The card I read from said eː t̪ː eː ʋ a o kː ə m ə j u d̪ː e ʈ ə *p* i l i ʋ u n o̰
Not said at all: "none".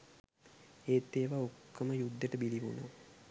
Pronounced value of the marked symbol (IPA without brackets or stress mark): b